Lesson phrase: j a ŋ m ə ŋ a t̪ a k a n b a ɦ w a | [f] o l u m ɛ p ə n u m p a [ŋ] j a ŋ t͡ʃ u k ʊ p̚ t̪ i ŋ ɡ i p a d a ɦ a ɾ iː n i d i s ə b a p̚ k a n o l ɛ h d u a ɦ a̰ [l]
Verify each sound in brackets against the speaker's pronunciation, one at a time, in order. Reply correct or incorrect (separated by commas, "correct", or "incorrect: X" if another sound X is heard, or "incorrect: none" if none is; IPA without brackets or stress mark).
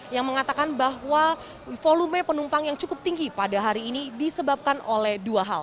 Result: correct, correct, correct